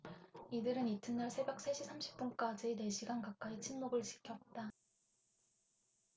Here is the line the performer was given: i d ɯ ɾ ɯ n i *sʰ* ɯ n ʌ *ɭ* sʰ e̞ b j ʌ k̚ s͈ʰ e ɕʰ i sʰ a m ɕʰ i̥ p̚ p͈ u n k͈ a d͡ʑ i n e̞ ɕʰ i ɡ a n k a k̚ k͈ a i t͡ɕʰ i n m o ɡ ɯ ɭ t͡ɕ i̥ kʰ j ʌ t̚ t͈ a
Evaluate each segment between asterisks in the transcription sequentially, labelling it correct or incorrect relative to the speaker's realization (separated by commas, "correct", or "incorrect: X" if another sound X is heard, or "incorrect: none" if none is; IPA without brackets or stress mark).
incorrect: tʰ, correct